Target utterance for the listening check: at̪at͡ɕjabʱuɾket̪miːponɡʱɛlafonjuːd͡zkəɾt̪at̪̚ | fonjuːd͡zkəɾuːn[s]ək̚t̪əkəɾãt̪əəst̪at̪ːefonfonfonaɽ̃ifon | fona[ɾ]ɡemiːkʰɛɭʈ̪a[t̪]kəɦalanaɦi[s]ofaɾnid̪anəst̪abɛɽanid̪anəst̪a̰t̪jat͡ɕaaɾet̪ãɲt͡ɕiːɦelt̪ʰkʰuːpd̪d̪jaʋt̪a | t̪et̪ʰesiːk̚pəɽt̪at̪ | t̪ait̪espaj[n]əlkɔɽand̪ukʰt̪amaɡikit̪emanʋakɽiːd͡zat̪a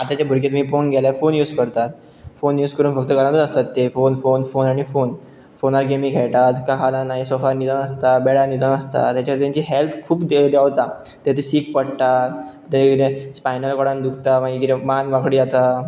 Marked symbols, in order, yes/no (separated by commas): no, yes, yes, yes, yes